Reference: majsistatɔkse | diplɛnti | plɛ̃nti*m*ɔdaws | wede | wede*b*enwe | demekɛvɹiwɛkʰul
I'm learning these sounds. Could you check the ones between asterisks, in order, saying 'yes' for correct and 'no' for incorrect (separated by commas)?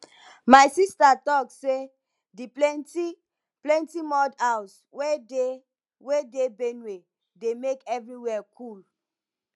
yes, yes